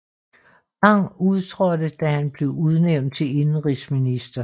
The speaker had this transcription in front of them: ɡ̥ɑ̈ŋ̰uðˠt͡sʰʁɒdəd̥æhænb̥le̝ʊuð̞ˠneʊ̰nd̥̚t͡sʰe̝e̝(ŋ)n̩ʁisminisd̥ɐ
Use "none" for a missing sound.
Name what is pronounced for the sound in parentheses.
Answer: n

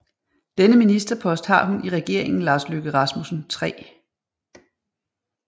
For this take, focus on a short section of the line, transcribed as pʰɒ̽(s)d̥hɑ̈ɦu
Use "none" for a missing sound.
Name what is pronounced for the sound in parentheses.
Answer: s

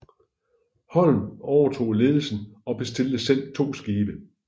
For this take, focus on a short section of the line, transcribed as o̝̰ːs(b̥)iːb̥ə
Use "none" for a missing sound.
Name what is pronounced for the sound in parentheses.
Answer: ɡ̥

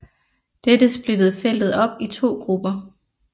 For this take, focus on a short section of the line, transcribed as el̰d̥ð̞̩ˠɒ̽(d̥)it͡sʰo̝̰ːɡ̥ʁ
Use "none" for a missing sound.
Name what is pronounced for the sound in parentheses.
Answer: b̥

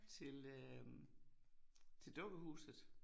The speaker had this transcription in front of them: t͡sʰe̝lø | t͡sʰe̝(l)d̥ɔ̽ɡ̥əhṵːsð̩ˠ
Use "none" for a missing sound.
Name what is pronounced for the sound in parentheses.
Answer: l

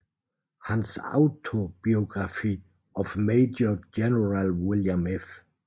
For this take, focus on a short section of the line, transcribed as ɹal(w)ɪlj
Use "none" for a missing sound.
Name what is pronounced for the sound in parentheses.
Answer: w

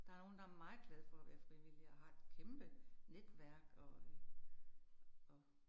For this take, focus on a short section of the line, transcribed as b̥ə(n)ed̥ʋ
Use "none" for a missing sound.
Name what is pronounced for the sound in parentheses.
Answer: n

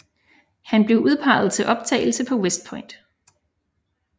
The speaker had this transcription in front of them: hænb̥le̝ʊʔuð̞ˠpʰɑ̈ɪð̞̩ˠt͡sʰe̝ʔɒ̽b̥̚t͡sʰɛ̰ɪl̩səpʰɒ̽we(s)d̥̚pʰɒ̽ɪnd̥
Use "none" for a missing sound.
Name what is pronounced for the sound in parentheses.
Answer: s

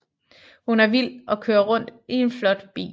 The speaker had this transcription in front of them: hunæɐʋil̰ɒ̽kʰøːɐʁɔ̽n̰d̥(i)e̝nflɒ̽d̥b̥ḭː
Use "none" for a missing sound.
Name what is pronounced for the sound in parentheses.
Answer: i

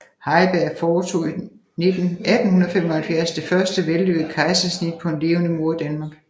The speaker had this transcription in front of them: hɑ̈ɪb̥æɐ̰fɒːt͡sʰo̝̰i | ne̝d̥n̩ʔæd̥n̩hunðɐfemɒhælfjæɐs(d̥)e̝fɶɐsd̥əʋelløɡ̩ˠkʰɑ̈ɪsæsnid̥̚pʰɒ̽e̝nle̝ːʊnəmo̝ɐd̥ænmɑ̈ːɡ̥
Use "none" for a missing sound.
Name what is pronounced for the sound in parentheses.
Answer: d̥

